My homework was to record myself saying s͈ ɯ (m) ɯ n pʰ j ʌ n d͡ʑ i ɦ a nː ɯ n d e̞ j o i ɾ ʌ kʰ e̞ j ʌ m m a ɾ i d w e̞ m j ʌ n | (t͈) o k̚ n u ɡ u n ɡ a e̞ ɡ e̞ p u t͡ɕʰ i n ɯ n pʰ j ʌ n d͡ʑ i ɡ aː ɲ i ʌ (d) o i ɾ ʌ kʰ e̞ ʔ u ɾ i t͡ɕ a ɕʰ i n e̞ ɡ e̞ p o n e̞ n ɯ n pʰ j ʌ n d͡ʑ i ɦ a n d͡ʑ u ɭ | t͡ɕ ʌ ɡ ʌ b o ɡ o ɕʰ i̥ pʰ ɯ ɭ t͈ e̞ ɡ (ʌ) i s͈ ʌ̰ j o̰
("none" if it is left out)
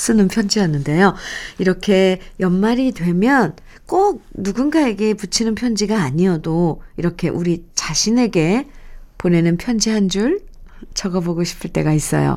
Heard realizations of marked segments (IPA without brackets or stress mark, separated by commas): n, k͈, d, a